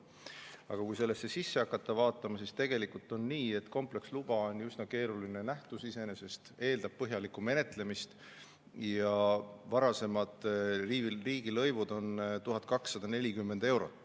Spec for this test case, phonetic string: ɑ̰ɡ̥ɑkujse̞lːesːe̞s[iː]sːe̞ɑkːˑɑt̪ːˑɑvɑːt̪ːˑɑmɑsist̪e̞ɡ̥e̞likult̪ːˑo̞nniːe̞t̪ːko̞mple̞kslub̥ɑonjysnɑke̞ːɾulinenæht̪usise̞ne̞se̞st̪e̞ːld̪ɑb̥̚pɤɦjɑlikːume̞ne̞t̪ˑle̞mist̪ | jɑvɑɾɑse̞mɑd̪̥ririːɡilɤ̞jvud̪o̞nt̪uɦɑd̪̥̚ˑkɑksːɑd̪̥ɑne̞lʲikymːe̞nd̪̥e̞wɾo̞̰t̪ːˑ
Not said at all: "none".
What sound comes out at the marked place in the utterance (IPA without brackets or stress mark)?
i